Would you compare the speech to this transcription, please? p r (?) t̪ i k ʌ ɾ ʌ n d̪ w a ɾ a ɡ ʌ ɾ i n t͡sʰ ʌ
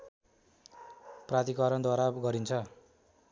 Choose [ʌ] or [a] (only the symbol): a